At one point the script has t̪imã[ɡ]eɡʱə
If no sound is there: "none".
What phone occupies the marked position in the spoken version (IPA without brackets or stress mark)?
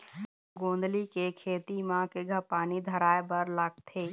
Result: k